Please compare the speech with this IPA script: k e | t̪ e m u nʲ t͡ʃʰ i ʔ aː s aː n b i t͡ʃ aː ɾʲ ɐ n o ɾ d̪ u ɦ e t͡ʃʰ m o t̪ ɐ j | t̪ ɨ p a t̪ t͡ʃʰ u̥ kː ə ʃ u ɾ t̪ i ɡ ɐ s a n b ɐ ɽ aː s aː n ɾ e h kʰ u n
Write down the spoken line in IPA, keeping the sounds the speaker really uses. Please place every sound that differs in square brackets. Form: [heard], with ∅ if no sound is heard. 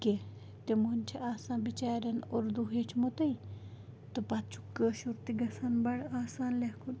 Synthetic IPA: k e | t̪ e m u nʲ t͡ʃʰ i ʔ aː s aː n b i t͡ʃ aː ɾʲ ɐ n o ɾ d̪ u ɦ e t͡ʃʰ m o t̪ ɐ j | t̪ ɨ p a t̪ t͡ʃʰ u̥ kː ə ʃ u ɾ t̪ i ɡ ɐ s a n b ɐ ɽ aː s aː n [l] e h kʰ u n